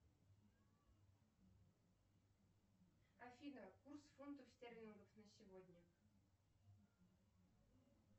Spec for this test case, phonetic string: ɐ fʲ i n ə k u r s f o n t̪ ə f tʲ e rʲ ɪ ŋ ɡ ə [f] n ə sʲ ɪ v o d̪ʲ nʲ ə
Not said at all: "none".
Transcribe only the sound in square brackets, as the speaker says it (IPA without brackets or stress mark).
f